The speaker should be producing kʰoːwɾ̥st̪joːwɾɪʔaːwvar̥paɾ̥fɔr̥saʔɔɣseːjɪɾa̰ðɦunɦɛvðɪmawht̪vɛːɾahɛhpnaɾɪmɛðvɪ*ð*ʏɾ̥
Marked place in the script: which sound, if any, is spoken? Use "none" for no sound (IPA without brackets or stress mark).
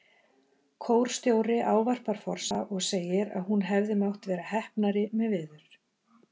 ð